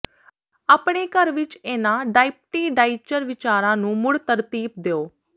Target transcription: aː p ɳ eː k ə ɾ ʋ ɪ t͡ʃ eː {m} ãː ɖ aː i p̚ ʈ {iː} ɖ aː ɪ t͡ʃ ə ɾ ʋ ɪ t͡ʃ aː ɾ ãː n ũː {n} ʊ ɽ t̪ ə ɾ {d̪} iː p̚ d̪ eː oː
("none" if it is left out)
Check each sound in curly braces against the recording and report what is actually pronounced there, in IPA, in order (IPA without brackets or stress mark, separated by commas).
n, iː, m, t̪